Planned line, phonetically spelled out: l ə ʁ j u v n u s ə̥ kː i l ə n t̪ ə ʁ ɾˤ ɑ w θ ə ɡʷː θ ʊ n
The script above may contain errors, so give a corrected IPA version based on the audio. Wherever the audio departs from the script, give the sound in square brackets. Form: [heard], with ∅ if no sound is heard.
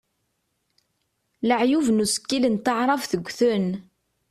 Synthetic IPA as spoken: l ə [ʕ] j u v n u s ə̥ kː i l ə n t̪ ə [ʕ] ɾˤ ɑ [v] θ ə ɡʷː θ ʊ n